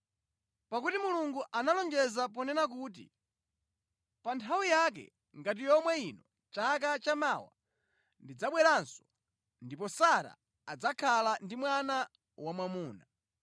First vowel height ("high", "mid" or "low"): low